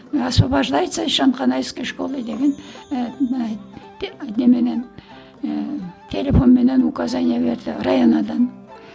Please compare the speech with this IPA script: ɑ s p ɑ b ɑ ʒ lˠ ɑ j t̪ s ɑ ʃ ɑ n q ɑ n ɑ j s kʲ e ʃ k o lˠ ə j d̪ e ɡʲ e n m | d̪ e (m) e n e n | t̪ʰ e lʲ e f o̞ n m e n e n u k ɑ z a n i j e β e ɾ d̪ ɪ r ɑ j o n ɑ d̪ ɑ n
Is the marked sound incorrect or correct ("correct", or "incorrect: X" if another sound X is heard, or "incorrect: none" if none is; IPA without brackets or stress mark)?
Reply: correct